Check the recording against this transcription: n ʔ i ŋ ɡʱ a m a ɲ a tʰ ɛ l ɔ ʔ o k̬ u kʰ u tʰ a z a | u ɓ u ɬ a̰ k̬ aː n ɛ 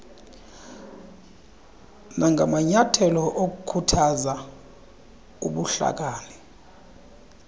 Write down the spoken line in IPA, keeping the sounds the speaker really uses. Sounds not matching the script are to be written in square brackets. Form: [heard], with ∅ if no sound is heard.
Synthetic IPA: n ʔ [a] ŋ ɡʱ a m a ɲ a tʰ ɛ l ɔ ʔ o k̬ u kʰ u tʰ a z a | u ɓ u ɬ a̰ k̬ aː n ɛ